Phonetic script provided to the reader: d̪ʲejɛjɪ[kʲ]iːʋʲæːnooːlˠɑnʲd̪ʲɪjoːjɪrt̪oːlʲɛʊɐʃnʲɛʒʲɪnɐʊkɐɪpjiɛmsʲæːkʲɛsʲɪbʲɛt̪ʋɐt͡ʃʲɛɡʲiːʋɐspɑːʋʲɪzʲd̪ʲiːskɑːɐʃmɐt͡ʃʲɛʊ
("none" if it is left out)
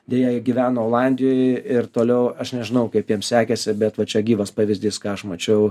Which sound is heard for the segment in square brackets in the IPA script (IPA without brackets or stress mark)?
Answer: ɡʲ